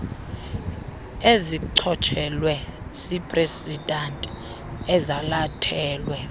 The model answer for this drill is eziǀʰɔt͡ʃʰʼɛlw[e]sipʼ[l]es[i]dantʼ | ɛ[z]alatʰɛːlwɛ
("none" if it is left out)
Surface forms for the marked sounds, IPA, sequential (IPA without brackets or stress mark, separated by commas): ɛ, r, i, z